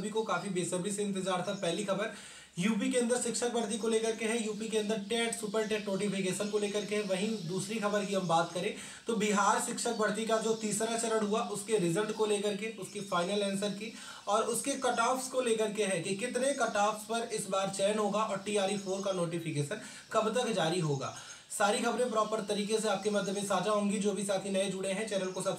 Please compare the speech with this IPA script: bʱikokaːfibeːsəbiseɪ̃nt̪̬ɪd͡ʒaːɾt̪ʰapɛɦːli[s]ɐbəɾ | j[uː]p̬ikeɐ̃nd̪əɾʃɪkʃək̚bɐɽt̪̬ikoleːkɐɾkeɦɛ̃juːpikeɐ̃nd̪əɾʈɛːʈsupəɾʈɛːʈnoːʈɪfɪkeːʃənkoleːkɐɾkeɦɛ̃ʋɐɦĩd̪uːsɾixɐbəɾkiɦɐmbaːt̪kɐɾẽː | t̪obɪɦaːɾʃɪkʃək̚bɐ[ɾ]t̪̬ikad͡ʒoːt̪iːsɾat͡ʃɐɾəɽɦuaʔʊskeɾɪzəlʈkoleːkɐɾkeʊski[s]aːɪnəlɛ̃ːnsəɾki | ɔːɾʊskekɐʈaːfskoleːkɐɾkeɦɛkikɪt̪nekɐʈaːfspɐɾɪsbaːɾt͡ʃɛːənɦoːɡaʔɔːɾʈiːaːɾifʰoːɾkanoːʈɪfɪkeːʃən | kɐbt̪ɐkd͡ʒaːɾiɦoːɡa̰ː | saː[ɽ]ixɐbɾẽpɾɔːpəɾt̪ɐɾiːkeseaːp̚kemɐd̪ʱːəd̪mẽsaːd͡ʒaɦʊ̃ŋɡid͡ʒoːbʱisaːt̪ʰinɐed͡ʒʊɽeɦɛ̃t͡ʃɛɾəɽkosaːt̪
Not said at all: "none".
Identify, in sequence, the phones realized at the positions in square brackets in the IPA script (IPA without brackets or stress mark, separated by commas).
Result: x, uː, ɽ, f, ɾ